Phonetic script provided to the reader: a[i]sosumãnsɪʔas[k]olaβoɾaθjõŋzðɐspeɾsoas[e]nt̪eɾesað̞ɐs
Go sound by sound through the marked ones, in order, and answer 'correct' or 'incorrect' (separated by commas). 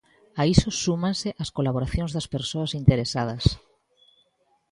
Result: correct, correct, incorrect